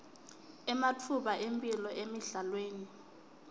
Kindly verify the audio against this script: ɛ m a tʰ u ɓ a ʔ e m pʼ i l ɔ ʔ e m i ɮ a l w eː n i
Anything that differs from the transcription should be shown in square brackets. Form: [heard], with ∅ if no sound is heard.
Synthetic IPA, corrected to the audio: ɛ m a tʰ u ɓ a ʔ e m pʼ i l ɔ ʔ e m i ɮ a l w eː n i